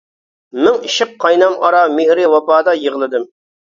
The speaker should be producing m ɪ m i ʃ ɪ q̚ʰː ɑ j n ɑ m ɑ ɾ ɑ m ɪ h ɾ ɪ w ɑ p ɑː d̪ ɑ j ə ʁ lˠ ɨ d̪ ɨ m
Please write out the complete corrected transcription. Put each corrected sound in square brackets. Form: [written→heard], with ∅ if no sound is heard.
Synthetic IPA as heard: m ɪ [m→ŋ] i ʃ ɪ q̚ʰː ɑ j n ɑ m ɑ ɾ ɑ m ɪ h ɾ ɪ w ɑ p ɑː d̪ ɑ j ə ʁ lˠ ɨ d̪ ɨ m